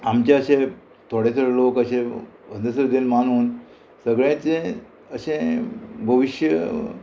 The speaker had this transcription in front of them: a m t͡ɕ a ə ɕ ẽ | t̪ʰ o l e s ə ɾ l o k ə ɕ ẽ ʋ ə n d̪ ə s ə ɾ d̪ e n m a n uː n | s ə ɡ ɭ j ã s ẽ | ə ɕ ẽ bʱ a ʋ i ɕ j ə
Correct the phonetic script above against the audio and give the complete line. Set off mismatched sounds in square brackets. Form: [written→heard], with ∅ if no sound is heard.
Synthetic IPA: a m t͡ɕ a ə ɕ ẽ | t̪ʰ o [l→ɽ] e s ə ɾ l o k ə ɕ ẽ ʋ ə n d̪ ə s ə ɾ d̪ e n m a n uː n | s ə ɡ ɭ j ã [s→t͡s] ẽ | ə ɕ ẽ bʱ [a→ə] ʋ i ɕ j ə